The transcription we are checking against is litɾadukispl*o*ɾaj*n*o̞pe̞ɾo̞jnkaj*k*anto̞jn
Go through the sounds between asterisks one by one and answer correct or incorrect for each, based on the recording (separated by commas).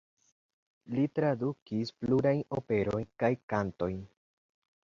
incorrect, correct, correct